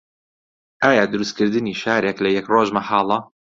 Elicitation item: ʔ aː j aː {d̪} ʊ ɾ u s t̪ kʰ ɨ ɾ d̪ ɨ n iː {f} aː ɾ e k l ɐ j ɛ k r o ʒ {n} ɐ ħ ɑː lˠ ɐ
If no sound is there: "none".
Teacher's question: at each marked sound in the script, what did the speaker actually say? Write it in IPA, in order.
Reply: d̪, ʃ, m

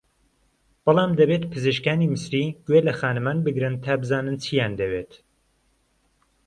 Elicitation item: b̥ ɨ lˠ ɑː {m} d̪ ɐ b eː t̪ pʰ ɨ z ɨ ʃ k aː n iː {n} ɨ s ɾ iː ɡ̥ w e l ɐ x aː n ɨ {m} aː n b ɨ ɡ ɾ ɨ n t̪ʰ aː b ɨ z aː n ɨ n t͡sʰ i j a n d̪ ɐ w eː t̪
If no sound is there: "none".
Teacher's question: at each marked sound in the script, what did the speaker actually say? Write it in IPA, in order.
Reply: m, m, m

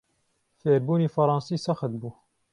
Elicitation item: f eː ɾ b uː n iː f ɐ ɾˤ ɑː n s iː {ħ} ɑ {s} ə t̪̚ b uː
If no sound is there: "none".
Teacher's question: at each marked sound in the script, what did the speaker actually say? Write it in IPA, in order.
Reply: s, x

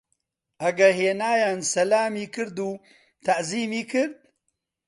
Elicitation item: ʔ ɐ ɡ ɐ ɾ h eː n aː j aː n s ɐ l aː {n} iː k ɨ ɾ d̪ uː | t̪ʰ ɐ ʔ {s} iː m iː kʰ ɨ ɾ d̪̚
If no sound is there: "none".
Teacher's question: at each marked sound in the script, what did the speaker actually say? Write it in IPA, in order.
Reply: m, z

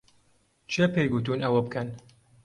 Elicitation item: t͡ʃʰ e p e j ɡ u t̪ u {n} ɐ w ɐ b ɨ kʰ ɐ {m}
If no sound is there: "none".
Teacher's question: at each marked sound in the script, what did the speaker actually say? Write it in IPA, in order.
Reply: n, n

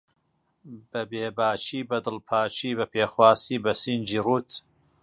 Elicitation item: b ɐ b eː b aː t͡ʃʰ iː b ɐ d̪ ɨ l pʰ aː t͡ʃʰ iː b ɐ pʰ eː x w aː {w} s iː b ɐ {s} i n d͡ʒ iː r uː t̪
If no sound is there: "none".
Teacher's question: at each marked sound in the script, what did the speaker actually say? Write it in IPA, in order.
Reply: none, s

